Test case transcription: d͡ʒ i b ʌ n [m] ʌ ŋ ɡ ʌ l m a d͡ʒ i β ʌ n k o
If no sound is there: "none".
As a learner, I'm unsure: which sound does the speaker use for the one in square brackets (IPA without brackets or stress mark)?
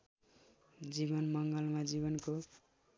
m